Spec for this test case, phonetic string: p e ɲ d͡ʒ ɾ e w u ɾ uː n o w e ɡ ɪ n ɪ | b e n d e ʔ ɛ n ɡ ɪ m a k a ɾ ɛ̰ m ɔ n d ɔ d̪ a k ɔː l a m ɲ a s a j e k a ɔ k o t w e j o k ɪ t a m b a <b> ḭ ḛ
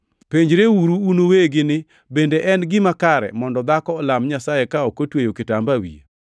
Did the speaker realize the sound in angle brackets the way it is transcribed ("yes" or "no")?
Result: no